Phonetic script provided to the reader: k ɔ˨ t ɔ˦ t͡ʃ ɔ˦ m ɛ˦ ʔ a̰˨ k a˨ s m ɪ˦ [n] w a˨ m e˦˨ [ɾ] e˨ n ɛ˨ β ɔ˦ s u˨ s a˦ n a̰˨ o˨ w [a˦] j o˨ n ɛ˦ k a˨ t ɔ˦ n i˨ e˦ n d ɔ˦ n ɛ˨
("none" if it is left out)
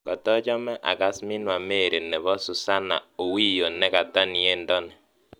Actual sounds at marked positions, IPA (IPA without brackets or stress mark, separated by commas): n, ɾ, i˦